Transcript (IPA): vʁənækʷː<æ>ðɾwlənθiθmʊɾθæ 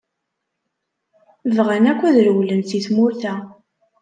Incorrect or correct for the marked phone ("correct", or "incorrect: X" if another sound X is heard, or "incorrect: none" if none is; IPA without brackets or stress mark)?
correct